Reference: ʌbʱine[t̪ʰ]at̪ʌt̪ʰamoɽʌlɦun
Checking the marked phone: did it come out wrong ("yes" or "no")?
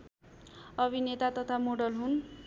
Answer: yes